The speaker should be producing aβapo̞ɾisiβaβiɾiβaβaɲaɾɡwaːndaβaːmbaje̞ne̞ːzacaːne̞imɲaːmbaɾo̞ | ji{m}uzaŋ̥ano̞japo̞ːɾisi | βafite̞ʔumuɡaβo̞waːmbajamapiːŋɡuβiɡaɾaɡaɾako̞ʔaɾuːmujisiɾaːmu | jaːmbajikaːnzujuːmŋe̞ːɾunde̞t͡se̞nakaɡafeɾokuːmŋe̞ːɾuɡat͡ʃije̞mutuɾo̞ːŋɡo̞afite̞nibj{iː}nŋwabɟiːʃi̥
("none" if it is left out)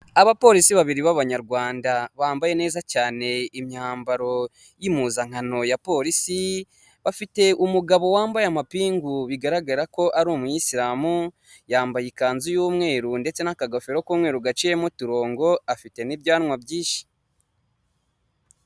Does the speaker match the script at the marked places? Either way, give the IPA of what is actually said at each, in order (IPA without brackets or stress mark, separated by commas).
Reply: m, aː